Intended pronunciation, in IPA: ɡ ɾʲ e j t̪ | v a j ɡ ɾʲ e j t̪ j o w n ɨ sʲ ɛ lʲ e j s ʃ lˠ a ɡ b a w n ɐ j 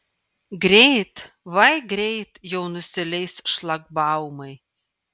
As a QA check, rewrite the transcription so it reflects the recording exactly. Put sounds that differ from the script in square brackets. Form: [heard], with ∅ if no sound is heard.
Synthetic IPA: ɡ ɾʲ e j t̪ | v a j ɡ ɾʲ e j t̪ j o w n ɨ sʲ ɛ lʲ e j s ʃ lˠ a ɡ b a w [m] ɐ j